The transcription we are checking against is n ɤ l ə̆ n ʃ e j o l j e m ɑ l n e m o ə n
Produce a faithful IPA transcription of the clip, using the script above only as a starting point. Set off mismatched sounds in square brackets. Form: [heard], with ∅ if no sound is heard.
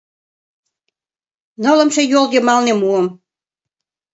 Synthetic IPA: n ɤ l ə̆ [m] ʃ e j o l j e m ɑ l n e m [u] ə [m]